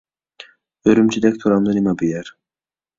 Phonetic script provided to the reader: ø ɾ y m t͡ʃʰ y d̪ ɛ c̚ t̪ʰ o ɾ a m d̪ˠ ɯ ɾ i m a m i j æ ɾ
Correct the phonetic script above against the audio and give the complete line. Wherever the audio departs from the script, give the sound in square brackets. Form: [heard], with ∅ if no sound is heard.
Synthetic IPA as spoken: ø ɾ y m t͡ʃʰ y d̪ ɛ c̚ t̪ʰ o ɾ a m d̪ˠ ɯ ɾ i m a [b] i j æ ɾ